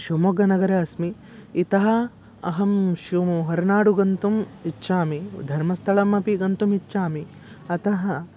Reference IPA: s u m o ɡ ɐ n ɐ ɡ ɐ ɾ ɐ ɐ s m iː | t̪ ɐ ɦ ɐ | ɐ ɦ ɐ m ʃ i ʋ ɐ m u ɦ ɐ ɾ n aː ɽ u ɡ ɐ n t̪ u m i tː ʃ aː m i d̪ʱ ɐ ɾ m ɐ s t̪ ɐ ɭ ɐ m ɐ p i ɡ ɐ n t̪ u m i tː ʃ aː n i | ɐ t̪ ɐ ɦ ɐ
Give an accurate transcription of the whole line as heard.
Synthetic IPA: ʃ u m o ɡ ɐ n ɐ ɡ ɐ ɾ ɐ ɐ s m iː | t̪ ɐ ɦ ɐ | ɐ ɦ ɐ m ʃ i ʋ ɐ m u ɦ ɐ ɾ n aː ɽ u ɡ ɐ n t̪ u m i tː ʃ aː m i d̪ʱ ɐ ɾ m ɐ s t̪ʰ ɐ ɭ ɐ m ɐ p i ɡ ɐ n t̪ u m i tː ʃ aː m i | ɐ t̪ ɐ ɦ ɐ